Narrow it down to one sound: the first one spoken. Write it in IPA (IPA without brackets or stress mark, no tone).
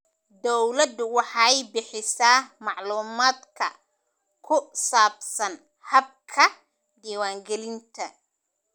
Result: d̪